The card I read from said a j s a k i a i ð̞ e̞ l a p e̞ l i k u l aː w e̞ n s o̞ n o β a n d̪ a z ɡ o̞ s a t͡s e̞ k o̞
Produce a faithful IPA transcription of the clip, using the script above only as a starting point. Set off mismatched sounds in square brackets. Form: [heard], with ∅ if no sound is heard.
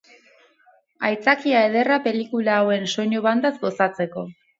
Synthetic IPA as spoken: a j [t͡s] a k i a [e] ð̞ e̞ [r] a p e̞ l i k u l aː w e̞ n s o̞ [ɲ] o β a n d̪ a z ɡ o̞ s a t͡s e̞ k o̞